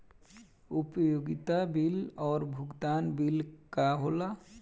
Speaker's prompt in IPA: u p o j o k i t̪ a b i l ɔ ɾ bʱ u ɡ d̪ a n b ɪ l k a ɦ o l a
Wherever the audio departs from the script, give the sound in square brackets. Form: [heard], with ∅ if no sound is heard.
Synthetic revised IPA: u p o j o [ɡ] i t̪ a b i l ɔ ɾ bʱ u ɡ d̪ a n b [i] l k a ɦ o l a